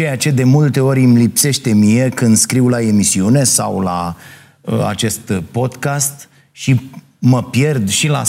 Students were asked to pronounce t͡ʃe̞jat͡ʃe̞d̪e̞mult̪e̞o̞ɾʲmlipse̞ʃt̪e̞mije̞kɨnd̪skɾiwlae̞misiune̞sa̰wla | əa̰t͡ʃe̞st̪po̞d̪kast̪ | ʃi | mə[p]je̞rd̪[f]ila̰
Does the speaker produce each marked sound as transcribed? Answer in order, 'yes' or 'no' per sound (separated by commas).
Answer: yes, no